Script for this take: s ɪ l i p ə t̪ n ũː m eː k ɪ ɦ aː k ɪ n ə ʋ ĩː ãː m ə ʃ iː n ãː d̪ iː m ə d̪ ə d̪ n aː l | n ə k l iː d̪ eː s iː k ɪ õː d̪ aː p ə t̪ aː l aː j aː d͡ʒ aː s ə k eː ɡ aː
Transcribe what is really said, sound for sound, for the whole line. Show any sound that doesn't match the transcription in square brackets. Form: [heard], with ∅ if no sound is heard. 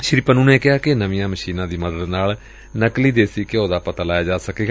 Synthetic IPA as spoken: [ʃ] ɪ [ɾ] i p ə [∅] n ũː [n] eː k ɪ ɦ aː k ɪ n ə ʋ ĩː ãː m ə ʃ iː n ãː d̪ iː m ə d̪ ə d̪ n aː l | n ə k l iː d̪ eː s iː k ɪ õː d̪ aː p ə t̪ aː l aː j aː d͡ʒ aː s ə k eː ɡ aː